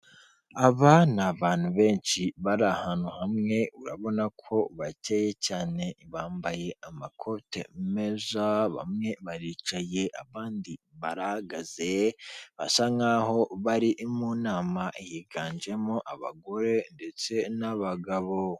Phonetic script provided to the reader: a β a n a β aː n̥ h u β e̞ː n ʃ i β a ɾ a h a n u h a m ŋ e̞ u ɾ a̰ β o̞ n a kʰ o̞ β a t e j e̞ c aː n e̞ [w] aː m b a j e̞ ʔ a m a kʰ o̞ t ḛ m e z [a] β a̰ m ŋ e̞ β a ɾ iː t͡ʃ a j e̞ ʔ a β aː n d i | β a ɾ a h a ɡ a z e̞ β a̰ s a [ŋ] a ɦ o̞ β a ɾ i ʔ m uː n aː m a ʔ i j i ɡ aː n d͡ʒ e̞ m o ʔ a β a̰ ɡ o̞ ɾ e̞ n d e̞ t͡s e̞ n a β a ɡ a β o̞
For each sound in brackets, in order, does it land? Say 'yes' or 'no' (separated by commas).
no, yes, yes